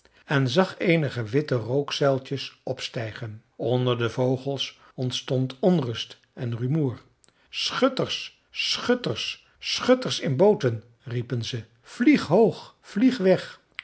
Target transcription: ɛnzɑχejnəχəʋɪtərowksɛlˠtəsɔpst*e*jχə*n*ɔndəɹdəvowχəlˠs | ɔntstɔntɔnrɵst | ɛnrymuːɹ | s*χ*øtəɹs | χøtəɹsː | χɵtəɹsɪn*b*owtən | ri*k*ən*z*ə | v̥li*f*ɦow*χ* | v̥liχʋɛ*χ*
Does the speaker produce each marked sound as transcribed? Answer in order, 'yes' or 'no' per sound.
no, yes, yes, yes, no, yes, no, yes, yes

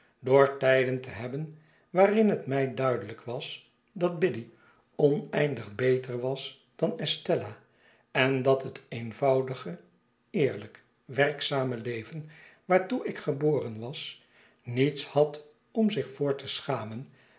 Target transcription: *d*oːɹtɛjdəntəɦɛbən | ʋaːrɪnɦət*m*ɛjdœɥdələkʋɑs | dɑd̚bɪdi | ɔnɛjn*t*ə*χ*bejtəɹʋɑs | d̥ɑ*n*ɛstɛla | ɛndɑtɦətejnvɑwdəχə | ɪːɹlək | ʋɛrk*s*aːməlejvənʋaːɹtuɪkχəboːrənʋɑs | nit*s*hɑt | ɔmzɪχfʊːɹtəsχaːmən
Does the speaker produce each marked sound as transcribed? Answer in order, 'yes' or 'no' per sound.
yes, yes, no, yes, yes, yes, yes

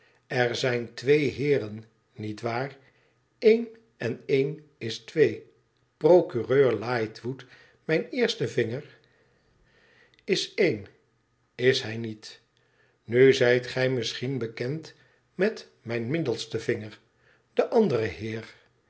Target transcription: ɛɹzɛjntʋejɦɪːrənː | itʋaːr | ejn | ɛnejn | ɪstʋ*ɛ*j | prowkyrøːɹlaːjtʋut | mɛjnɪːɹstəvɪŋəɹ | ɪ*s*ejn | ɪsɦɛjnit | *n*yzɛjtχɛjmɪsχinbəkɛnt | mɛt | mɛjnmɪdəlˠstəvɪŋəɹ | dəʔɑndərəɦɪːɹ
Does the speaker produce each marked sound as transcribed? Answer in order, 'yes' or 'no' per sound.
no, yes, yes

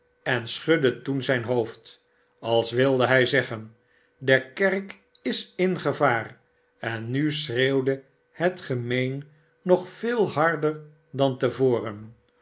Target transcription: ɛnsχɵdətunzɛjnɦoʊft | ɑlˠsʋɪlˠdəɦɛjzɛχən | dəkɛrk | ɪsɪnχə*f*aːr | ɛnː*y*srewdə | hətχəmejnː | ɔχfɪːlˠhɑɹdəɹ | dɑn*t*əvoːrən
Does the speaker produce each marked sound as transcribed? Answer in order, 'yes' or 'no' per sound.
no, yes, yes

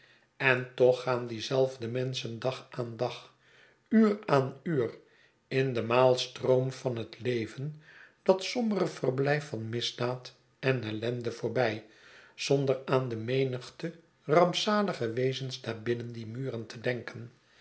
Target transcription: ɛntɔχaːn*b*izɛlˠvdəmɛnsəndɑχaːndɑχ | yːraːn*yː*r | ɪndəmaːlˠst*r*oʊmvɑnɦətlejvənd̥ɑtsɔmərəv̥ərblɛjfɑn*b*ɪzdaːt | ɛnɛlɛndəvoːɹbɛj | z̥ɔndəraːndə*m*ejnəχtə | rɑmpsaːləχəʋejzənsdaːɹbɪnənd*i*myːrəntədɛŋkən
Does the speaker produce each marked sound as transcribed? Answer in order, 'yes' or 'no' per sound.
no, yes, yes, no, yes, yes

